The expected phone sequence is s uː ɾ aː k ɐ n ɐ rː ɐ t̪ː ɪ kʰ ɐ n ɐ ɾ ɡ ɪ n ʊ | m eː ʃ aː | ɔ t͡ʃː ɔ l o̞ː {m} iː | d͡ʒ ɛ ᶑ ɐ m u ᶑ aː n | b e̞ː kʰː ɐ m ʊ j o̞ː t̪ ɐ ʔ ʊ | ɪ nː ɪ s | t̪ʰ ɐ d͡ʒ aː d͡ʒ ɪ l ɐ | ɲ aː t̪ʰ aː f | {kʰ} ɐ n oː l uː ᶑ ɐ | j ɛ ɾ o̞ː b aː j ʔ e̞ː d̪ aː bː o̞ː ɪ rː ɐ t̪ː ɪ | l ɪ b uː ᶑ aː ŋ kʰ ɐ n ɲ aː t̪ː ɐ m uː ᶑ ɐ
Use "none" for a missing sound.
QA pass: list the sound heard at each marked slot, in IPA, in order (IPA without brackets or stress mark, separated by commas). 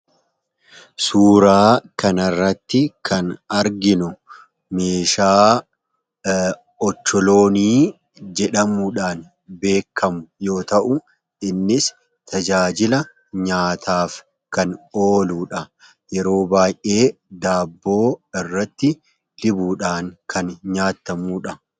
n, k